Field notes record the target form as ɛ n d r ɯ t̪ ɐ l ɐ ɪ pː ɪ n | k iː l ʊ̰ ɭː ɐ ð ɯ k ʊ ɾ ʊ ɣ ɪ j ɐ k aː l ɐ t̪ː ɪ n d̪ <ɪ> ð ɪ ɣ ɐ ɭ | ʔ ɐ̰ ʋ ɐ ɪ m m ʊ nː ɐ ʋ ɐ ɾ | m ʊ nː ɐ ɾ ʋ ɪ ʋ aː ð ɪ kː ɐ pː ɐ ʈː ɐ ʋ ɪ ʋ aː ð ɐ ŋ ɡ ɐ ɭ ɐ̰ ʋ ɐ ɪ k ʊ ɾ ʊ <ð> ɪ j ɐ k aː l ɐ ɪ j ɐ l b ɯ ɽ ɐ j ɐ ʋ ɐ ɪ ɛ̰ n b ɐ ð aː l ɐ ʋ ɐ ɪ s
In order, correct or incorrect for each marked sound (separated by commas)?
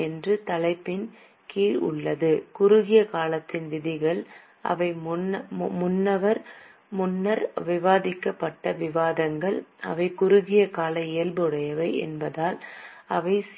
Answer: correct, incorrect